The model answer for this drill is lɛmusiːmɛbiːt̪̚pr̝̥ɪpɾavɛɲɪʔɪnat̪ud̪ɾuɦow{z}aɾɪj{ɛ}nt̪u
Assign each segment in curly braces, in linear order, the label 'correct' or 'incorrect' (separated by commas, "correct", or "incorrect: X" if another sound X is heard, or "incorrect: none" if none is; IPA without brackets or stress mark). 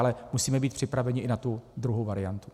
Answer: incorrect: v, incorrect: a